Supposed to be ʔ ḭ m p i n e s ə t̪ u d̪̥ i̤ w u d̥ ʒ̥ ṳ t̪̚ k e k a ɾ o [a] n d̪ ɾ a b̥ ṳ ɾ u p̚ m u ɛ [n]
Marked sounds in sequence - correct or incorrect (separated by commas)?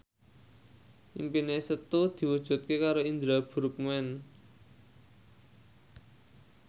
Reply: incorrect, correct